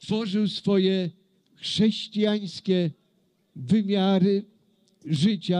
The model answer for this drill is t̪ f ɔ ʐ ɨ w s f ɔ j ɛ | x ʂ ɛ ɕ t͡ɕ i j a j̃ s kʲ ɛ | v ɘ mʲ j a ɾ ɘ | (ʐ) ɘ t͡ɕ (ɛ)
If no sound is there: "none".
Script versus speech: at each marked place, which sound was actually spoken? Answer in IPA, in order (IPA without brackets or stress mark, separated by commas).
ʐ, a